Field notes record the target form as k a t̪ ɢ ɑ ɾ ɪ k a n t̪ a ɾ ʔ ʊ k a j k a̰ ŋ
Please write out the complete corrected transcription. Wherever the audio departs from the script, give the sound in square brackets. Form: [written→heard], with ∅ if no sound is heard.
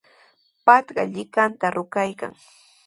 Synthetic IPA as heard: [k→p] a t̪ ɢ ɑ [ɾ→ʎ] ɪ k a n t̪ a ɾ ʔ ʊ k a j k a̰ ŋ

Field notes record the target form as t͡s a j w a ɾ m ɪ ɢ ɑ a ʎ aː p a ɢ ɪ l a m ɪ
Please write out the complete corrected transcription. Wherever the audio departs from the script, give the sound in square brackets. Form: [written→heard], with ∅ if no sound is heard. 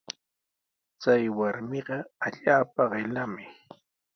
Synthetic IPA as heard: t͡s a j w a ɾ m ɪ ɢ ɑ a ʎ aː p a ɢ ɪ l a m ɪ

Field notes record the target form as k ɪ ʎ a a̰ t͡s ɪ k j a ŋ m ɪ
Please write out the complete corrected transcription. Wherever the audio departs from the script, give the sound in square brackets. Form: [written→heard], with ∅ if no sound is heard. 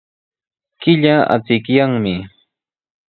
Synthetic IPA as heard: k ɪ ʎ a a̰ t͡s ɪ k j a ŋ m ɪ

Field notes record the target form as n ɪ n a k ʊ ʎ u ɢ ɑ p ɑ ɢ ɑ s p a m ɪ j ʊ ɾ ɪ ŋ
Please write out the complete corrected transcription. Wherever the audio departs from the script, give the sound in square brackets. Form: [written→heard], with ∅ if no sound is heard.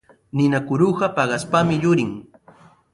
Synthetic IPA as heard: n ɪ n a k ʊ [ʎ→ɾ] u ɢ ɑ p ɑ ɢ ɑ s p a m ɪ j ʊ ɾ ɪ ŋ

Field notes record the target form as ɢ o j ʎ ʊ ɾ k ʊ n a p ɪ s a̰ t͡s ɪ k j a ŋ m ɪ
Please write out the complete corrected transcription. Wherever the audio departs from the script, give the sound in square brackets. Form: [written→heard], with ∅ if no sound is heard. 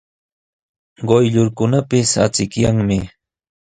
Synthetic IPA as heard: ɢ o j ʎ ʊ ɾ k ʊ n a p ɪ s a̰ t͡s ɪ k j a ŋ m ɪ

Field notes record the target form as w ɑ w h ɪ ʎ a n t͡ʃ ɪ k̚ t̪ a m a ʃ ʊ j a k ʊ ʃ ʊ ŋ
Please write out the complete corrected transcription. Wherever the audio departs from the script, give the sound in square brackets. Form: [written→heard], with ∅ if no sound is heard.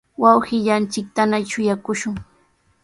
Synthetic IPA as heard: w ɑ w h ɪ ʎ a n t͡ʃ ɪ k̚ t̪ a [m→n] a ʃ ʊ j a k ʊ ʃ ʊ ŋ

